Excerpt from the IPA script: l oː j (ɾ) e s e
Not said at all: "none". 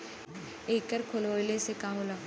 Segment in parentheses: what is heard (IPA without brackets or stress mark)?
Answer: l